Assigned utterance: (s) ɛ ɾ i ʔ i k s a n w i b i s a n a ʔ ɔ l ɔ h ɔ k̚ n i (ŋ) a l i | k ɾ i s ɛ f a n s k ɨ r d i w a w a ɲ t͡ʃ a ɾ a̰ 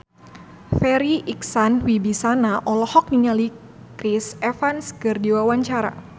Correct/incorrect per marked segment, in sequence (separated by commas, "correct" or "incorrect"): incorrect, incorrect